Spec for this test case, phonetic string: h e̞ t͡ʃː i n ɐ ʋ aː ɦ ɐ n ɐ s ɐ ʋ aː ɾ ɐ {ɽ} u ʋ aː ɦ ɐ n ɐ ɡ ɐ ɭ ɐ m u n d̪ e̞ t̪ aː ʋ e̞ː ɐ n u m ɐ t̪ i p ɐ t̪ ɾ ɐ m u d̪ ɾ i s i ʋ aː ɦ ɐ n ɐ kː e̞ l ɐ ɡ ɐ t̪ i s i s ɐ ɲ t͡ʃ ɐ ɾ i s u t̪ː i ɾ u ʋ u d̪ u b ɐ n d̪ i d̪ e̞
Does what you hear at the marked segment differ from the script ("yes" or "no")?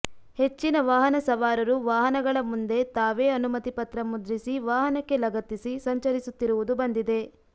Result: yes